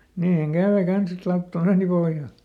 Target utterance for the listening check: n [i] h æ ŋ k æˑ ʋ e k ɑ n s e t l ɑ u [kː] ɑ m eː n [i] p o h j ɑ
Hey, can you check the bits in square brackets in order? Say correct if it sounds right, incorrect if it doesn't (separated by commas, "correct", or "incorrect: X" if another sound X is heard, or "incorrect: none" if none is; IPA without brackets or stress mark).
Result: incorrect: iː, incorrect: tː, correct